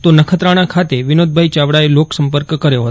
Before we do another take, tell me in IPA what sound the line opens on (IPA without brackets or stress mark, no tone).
t̪